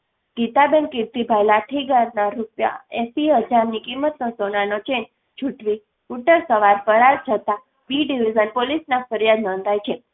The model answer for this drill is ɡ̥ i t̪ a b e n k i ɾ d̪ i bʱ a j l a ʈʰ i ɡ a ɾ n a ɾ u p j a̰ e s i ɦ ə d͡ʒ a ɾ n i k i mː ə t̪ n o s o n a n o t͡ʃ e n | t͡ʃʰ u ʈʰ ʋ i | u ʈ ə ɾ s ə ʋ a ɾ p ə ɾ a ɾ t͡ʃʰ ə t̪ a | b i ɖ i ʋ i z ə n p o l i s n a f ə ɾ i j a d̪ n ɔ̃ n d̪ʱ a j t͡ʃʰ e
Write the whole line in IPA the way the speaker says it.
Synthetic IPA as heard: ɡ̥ i t̪ a b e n k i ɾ t̪ i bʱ a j l a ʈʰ i ɡ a ɾ n a ɾ u p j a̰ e s i ɦ ə d͡ʒ a ɾ n i k i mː ə t̪ n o s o n a n o t͡ʃ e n | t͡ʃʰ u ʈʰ ʋ i | u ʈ ə ɾ s ə ʋ a ɾ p ə ɾ a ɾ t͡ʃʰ ə t̪ a | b i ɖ i ʋ i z ə n p o l i s n a f ə ɾ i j a d̪ n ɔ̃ n d̪ʱ a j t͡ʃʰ e